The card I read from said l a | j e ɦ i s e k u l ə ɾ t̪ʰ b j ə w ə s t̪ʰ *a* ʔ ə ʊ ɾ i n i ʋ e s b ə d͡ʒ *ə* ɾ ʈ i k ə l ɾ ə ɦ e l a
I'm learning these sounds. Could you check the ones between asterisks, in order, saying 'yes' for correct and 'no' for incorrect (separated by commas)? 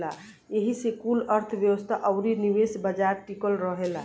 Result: yes, no